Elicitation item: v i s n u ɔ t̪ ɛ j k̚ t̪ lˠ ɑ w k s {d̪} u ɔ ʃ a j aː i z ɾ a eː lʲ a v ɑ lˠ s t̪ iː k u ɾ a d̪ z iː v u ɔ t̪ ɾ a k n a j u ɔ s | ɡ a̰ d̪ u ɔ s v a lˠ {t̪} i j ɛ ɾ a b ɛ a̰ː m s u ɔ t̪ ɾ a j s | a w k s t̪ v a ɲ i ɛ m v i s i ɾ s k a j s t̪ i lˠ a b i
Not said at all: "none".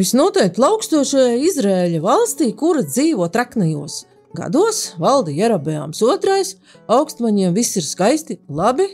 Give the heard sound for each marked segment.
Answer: t̪, d̪

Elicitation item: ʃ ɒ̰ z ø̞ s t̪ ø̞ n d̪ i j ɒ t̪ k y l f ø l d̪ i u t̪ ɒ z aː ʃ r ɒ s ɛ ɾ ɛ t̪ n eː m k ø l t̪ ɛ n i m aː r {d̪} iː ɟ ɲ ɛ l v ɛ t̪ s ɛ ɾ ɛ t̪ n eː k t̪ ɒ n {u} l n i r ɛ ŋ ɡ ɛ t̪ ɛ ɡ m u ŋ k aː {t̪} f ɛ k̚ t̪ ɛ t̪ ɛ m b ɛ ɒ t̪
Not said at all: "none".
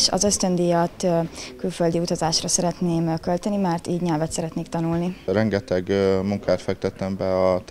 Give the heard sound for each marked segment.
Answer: t̪, u, t̪

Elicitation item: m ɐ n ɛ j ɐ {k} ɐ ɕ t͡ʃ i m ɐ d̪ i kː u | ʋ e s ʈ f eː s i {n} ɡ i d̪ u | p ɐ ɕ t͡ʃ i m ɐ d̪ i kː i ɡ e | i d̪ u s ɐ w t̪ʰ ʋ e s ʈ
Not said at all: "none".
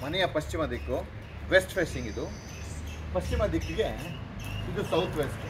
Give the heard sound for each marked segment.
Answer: p, ŋ

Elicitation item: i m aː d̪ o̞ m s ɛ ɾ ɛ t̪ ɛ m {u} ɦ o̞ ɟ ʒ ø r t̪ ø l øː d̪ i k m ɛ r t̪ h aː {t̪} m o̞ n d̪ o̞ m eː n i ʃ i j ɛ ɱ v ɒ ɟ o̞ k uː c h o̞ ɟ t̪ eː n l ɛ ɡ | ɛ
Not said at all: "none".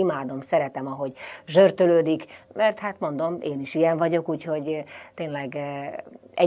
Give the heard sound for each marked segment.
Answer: ɒ, t̪

